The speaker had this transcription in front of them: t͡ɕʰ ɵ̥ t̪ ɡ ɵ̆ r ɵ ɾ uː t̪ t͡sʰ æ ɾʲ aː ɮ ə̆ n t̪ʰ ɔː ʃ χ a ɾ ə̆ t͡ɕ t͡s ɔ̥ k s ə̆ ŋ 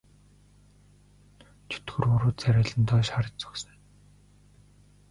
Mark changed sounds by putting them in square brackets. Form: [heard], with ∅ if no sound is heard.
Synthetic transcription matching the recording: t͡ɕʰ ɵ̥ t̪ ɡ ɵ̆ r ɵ ɾ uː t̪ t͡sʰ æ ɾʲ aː ɮ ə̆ n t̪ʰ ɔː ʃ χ a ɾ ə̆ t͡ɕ t͡s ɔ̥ k s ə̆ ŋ